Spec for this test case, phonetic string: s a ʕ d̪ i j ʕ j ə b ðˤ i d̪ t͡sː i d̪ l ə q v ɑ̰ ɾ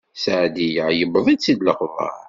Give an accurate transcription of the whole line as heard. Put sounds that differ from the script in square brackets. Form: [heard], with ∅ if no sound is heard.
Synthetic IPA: s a ʕ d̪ i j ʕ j ə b ðˤ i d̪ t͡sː i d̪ l ə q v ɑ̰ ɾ